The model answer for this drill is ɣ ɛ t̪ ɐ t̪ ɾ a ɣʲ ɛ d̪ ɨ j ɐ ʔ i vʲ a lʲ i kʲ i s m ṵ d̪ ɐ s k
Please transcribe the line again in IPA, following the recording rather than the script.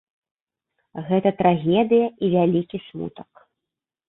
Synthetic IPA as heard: ɣ ɛ t̪ ɐ t̪ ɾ a ɣʲ ɛ d̪ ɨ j ɐ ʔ i vʲ a lʲ i kʲ i s m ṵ t̪ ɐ k